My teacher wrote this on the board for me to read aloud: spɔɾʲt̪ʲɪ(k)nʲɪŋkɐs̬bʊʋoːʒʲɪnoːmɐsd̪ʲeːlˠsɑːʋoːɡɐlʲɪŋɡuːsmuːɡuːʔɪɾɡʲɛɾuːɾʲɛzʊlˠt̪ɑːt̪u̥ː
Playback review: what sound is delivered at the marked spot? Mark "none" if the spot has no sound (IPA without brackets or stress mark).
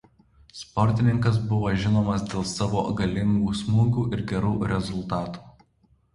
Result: none